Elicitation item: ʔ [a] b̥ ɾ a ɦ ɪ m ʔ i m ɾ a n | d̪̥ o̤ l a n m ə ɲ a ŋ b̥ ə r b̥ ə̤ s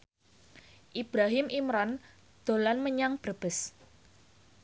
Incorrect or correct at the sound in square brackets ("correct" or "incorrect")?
incorrect